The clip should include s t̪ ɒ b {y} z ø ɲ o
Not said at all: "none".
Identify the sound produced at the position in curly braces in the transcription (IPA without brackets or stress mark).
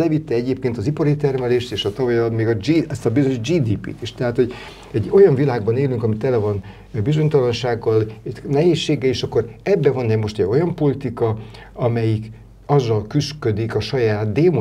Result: i